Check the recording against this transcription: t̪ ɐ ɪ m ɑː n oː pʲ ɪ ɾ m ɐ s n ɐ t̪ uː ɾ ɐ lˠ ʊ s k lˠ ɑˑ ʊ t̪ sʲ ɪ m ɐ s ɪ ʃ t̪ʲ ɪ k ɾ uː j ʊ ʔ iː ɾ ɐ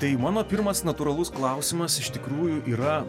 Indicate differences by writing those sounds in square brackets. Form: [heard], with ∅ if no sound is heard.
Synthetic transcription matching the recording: t̪ ɐ ɪ m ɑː n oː pʲ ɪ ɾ m ɐ s n ɐ t̪ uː ɾ ɐ lˠ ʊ s k lˠ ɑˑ ʊ [∅] sʲ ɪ m ɐ s ɪ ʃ t̪ʲ ɪ k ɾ uː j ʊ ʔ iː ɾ ɐ